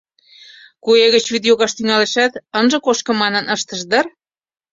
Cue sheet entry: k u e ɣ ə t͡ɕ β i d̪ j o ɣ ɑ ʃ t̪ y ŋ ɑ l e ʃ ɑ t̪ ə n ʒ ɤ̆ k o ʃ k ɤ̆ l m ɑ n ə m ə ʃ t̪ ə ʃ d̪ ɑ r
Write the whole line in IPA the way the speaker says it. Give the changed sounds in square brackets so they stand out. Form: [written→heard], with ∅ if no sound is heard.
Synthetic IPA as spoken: k u e ɣ ə t͡ɕ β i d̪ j o ɣ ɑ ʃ t̪ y ŋ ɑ l e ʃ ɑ t̪ ə n ʒ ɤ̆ k o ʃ k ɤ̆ [l→∅] m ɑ n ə [m→n] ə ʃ t̪ ə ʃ d̪ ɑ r